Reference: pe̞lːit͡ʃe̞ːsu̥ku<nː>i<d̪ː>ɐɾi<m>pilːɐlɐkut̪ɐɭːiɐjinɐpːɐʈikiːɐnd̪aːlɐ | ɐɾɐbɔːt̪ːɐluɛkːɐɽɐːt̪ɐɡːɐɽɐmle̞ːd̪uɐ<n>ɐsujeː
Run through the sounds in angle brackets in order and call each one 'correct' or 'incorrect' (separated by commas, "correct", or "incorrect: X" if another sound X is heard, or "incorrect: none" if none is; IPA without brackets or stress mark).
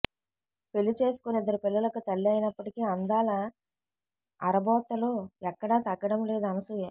incorrect: n, correct, incorrect: none, correct